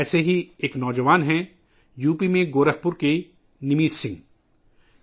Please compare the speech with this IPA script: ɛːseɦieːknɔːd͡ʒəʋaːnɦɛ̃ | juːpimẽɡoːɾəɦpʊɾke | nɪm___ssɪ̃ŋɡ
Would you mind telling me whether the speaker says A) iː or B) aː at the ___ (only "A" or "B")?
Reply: A